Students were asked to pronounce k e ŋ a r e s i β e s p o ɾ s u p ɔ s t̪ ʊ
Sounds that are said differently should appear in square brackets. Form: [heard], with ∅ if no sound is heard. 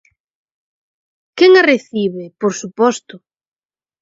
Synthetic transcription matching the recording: k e ŋ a r e [θ] i β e [∅] p o ɾ s u p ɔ s t̪ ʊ